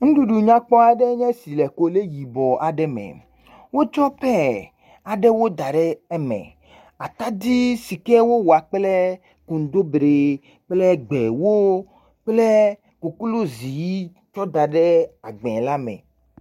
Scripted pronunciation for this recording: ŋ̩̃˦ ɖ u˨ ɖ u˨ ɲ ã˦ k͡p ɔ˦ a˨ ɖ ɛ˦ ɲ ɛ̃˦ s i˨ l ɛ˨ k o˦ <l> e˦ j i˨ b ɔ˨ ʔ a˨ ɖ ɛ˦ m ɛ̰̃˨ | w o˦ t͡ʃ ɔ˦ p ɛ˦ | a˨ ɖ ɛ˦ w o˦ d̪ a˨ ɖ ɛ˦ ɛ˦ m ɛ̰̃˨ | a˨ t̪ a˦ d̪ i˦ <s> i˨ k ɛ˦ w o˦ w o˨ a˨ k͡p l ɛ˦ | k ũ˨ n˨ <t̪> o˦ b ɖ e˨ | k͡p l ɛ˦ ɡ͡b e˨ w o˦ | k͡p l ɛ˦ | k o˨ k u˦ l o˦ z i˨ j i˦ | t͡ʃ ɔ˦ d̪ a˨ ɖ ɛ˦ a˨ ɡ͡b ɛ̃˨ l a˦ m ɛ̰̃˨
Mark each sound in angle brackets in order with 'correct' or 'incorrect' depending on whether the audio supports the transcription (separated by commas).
correct, correct, incorrect